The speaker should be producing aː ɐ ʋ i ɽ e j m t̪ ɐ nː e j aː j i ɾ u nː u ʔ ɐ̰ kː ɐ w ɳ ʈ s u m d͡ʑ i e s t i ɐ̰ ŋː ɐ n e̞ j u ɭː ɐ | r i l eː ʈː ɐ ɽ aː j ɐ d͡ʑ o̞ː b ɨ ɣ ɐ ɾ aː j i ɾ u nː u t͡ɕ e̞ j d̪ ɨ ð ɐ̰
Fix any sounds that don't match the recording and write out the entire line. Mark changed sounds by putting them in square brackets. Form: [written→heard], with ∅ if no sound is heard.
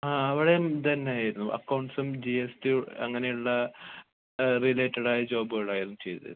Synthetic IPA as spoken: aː ɐ ʋ i ɽ e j m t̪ ɐ nː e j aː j i ɾ u nː u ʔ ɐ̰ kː ɐ w ɳ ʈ s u m d͡ʑ i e s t i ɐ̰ ŋː ɐ n e̞ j u ɭː ɐ | r i l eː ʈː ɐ ɽ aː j ɐ d͡ʑ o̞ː b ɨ ɣ ɐ [ɾ→ɭ] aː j i ɾ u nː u t͡ɕ e̞ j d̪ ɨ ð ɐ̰